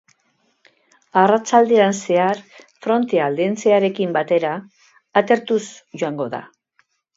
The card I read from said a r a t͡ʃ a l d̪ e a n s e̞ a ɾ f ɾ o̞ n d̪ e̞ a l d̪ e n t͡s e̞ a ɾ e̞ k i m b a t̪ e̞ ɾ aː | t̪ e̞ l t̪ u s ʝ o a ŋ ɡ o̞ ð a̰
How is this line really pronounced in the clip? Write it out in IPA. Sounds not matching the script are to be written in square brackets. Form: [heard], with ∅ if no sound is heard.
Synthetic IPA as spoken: a r a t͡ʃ a l d̪ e a n s e̞ a ɾ f ɾ o̞ n [t̪] e̞ a l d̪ e n t͡s e̞ a ɾ e̞ k i m b a t̪ e̞ ɾ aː | t̪ e̞ [ɾ] t̪ u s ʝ o a ŋ ɡ o̞ ð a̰

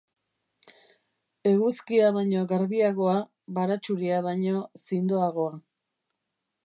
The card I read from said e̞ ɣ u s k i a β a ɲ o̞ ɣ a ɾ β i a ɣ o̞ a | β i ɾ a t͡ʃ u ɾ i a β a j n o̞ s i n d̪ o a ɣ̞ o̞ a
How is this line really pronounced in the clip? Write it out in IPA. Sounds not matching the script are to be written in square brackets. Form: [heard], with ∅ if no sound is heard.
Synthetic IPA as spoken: e̞ ɣ u s k i a β a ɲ o̞ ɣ a ɾ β i a ɣ o̞ a | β [a] ɾ a t͡ʃ u ɾ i a β a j [ɲ] o̞ s i n d̪ o a ɣ̞ o̞ a

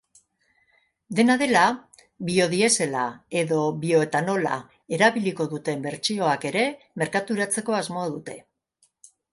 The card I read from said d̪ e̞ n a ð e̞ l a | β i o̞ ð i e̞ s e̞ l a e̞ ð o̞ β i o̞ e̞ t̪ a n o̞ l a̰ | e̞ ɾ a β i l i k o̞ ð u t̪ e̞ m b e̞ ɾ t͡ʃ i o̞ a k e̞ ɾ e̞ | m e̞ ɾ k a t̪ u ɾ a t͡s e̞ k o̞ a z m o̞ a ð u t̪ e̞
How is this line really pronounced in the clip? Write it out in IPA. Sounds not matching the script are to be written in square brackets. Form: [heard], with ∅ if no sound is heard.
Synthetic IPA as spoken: d̪ e̞ n a ð e̞ l a | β i o̞ ð i e̞ s e̞ l a e̞ ð o̞ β i o̞ e̞ t̪ a n o̞ l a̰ | e̞ ɾ a β i l i k o̞ ð u t̪ e̞ m b e̞ ɾ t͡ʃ i o̞ a k e̞ ɾ e̞ | m e̞ ɾ k a t̪ u ɾ a t͡s e̞ k o̞ a z m o̞ a ð u t̪ e̞

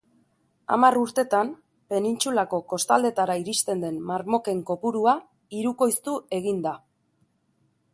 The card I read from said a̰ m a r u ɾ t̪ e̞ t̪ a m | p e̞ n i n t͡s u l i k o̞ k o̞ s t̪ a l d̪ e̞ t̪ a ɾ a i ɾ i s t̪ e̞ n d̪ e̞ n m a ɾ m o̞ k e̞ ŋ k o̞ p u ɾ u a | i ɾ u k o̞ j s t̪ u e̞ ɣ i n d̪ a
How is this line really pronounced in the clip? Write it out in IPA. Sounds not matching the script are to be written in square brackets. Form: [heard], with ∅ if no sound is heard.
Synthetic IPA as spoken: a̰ m a r u ɾ t̪ e̞ t̪ a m | p e̞ n i n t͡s u l [a] k o̞ k o̞ s t̪ a l d̪ e̞ t̪ a ɾ a i ɾ i s t̪ e̞ n d̪ e̞ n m a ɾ m o̞ k e̞ ŋ k o̞ p u ɾ u a | i ɾ u k o̞ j s t̪ u e̞ ɣ i n d̪ a

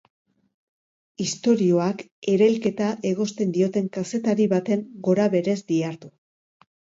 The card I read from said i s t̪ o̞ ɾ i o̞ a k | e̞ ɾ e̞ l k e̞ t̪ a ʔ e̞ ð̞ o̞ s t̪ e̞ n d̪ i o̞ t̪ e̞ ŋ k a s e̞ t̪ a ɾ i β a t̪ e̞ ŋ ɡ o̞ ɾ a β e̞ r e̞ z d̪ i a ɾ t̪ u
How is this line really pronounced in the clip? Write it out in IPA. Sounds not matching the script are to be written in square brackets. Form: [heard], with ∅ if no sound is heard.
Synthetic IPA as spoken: i s t̪ o̞ ɾ i o̞ a k | e̞ ɾ e̞ l k e̞ t̪ a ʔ e̞ [ɣ̞] o̞ s t̪ e̞ n d̪ i o̞ t̪ e̞ ŋ k a s e̞ t̪ a ɾ i β a t̪ e̞ ŋ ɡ o̞ ɾ a β e̞ [ɾ] e̞ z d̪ i a ɾ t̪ u

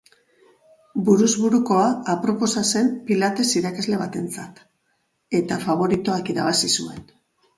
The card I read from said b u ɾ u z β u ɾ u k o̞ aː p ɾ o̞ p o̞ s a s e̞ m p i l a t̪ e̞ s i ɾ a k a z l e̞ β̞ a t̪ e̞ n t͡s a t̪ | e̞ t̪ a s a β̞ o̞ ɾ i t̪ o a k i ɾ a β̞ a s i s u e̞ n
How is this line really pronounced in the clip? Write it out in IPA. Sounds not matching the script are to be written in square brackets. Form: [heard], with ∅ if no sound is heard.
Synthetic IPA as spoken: b u ɾ u z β u ɾ u k o̞ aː p ɾ o̞ p o̞ s a s e̞ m p i l a t̪ e̞ s i ɾ a k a z l e̞ β̞ a t̪ e̞ n t͡s a t̪ | e̞ t̪ a [f] a β̞ o̞ ɾ i t̪ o a k i ɾ a β̞ a s i s u e̞ n

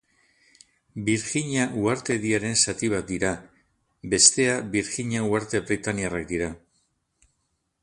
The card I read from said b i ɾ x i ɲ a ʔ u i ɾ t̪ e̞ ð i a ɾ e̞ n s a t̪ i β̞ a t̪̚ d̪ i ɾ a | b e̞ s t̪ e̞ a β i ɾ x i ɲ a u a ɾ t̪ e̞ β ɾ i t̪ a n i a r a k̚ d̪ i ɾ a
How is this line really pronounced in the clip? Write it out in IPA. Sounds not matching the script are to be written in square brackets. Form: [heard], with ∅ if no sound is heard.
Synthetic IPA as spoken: b i ɾ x i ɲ a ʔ u [a] ɾ t̪ e̞ ð i a ɾ e̞ n s a t̪ i β̞ a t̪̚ d̪ i ɾ a | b e̞ s t̪ e̞ a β i ɾ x i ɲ a u a ɾ t̪ e̞ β ɾ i t̪ a n i a r a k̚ d̪ i ɾ a

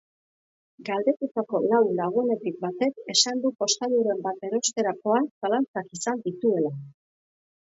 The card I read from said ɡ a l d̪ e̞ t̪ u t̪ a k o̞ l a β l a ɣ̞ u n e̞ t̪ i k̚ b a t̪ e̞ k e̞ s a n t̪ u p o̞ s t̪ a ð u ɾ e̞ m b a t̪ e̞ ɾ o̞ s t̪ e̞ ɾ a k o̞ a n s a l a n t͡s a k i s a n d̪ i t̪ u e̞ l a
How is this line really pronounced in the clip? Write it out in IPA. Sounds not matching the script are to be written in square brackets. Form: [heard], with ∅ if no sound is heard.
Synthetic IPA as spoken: ɡ a l d̪ e̞ t̪ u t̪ a k o̞ l a [w] l a ɣ̞ u n e̞ t̪ i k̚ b a t̪ e̞ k e̞ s a n [d̪] u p o̞ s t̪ a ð u ɾ e̞ m b a t̪ e̞ ɾ o̞ s t̪ e̞ ɾ a k o̞ a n s a l a n t͡s a k i s a n d̪ i t̪ u e̞ l a

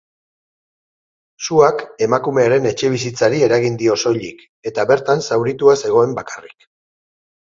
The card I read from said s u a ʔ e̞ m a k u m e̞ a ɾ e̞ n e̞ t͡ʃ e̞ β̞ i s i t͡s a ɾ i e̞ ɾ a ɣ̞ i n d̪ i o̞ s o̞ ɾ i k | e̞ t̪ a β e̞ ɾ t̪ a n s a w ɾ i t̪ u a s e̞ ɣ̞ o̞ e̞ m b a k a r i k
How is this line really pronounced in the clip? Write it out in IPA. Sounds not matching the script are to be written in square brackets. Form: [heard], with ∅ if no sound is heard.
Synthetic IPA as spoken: s u a [k] e̞ m a k u m e̞ a ɾ e̞ n e̞ t͡ʃ e̞ β̞ i s i t͡s a ɾ i e̞ ɾ a ɣ̞ i n d̪ i o̞ s o̞ [ʎ] i k | e̞ t̪ a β e̞ ɾ t̪ a n s a w ɾ i t̪ u a s e̞ ɣ̞ o̞ e̞ m b a k a r i k

